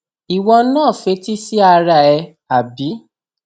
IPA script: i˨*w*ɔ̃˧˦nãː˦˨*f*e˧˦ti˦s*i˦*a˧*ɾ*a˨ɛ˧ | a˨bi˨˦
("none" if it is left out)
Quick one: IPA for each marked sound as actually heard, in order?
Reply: w, f, i˦, ɾ

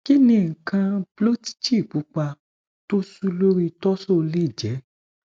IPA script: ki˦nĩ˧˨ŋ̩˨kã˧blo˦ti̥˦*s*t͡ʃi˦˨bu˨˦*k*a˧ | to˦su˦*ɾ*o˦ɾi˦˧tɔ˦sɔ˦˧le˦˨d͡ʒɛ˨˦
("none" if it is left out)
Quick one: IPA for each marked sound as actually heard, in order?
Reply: none, k͡p, l

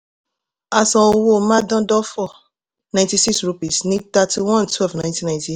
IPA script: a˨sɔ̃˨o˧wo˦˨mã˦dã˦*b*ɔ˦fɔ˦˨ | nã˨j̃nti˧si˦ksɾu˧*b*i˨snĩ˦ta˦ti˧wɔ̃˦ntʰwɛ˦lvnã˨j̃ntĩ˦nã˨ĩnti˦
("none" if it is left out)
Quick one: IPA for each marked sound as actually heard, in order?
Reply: d, p

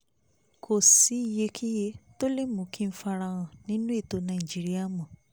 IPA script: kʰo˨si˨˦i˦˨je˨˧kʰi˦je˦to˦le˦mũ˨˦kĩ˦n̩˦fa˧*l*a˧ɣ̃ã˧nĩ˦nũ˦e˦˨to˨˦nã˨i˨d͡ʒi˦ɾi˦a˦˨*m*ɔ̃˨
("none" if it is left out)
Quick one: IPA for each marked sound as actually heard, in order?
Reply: ɾ, m

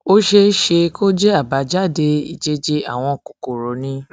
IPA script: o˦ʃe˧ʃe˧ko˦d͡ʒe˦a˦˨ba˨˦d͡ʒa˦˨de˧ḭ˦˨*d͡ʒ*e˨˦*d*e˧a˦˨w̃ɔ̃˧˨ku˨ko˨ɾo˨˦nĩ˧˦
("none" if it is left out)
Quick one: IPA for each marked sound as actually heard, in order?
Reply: d͡ʒ, d͡ʒ

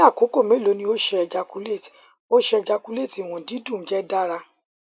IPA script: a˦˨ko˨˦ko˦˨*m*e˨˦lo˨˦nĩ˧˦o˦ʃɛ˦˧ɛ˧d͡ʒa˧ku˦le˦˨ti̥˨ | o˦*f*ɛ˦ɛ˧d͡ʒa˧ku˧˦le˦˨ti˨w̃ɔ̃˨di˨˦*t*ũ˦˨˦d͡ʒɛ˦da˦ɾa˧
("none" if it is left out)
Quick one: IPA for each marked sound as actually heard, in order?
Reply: m, ʃ, d

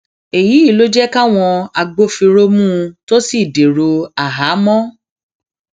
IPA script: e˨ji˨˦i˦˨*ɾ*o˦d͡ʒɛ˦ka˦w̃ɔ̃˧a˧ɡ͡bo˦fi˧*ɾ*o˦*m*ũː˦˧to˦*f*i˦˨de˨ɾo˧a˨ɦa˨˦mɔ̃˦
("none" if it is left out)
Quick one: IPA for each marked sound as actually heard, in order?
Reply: l, ɾ, m, s

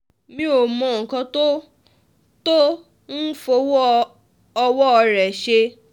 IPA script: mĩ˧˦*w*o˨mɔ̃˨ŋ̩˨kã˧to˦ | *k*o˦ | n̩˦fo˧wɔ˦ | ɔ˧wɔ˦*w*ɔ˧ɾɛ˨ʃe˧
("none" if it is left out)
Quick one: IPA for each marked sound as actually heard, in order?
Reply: none, t, none

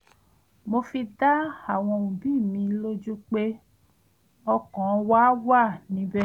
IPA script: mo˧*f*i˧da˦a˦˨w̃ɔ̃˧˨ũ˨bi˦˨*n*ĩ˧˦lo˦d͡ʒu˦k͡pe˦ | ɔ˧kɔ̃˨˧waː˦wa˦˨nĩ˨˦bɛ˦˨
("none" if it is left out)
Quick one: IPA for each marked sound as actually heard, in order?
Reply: f, m

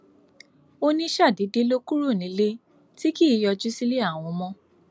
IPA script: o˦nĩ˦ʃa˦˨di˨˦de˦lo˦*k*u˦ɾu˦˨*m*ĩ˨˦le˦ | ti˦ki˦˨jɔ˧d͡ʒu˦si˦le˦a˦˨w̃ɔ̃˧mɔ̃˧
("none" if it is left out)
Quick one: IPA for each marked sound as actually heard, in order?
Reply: k, n

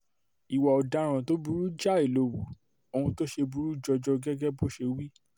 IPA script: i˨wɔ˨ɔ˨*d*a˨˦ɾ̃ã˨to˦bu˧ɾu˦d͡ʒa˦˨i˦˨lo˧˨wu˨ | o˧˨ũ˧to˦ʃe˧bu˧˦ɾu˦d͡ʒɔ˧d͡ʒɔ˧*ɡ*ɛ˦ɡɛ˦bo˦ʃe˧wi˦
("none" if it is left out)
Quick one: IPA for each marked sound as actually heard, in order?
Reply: d, ɡ

